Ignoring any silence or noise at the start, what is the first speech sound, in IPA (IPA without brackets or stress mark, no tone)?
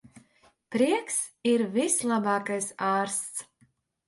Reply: p